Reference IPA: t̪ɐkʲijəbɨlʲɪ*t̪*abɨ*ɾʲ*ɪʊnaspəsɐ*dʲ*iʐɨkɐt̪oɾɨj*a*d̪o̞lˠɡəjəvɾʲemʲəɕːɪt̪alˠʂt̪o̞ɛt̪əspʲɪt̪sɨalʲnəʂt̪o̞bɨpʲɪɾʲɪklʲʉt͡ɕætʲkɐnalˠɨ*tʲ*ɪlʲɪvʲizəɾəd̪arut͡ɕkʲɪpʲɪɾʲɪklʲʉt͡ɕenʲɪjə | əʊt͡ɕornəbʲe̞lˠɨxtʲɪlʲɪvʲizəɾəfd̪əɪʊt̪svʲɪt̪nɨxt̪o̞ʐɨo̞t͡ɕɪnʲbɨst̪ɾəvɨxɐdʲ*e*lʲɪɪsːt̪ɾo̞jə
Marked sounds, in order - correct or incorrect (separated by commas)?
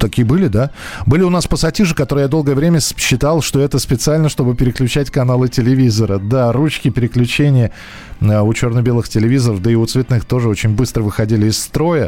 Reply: incorrect, incorrect, incorrect, correct, correct, incorrect